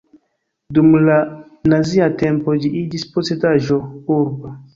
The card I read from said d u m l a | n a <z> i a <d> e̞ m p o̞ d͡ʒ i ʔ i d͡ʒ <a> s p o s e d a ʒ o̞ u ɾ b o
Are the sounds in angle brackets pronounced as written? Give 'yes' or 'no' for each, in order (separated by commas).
yes, no, no